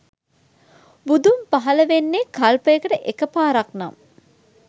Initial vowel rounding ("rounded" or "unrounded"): rounded